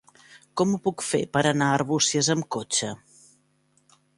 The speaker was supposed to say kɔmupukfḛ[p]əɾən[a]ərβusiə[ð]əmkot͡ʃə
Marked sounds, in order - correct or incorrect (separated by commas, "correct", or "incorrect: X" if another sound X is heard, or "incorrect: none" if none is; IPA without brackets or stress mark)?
correct, correct, incorrect: z